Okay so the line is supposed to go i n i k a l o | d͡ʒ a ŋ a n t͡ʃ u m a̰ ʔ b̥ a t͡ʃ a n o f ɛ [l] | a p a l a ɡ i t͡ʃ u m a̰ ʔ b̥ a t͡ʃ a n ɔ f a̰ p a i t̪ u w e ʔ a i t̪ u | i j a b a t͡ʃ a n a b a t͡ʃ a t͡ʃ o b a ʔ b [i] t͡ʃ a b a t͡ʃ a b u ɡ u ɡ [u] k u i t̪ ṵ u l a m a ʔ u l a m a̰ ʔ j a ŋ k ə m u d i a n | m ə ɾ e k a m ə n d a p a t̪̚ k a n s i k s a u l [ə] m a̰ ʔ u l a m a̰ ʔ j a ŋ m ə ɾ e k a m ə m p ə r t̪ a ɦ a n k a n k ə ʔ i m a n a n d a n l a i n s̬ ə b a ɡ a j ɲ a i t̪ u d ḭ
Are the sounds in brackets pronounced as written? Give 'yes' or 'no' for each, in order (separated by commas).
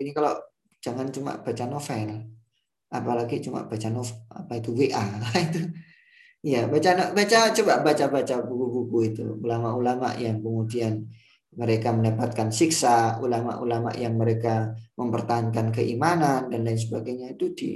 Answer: yes, no, yes, no